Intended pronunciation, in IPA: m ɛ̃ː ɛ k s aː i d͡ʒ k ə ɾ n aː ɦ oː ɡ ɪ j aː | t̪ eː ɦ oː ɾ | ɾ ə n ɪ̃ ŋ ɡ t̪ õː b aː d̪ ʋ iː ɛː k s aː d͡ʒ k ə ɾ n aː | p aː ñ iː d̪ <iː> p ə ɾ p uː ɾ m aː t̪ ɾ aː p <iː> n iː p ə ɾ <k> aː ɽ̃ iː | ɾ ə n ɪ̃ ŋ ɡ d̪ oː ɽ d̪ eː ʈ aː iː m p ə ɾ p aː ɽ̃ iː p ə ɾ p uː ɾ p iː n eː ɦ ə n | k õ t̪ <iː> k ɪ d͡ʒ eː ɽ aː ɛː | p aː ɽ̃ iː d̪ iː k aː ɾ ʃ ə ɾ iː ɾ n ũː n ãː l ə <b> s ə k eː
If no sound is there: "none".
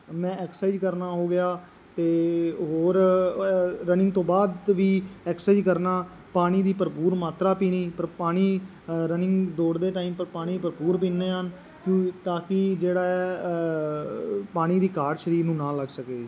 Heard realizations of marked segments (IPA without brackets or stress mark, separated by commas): iː, iː, p, aː, ɡ